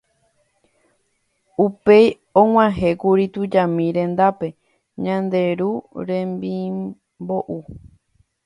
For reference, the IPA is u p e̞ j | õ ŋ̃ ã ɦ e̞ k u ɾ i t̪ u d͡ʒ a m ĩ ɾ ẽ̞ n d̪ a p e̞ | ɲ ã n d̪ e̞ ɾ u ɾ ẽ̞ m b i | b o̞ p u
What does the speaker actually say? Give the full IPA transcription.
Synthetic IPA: u p e̞ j | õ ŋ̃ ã ɦ e̞ k u ɾ i t̪ u d͡ʒ a m ĩ ɾ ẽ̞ n d̪ a p e̞ | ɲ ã n d̪ e̞ ɾ u ɾ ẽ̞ m b i | b o̞ ʔ u